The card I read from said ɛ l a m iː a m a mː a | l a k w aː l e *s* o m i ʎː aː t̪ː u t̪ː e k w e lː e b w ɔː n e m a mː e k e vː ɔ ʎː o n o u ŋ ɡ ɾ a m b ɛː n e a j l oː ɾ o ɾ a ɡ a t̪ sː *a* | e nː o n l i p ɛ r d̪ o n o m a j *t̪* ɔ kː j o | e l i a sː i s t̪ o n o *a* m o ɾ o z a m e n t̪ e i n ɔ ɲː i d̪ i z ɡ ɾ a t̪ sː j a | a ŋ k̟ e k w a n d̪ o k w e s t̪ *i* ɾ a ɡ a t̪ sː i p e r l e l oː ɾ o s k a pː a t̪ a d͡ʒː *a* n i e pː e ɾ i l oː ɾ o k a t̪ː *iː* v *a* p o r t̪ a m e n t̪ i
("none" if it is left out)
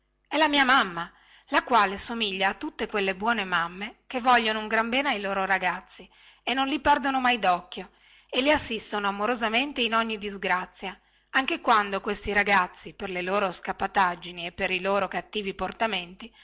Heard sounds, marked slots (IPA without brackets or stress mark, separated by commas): s, i, d̪, a, i, i, iː, i